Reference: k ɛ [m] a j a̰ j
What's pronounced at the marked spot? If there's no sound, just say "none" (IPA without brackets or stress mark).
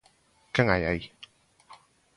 ŋ